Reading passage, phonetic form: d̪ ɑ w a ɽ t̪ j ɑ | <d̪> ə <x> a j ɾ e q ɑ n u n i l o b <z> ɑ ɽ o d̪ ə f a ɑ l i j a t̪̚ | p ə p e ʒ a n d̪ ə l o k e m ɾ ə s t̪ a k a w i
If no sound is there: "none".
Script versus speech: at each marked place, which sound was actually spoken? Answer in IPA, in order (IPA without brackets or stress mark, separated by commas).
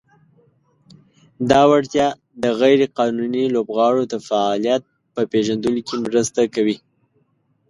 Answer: d̪, ɣ, ɣ